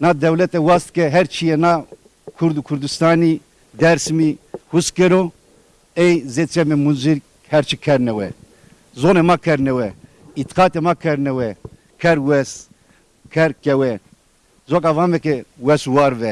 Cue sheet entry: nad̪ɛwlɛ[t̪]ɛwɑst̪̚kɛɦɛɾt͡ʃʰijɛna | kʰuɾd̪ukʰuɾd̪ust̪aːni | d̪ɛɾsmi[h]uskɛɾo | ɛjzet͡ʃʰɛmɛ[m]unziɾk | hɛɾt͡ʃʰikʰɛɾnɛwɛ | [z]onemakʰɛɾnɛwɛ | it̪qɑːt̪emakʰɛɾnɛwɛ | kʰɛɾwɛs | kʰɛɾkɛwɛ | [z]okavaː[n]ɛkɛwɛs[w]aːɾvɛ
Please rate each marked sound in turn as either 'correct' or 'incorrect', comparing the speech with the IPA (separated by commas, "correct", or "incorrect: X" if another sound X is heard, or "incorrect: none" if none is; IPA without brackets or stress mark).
correct, correct, correct, correct, correct, incorrect: m, correct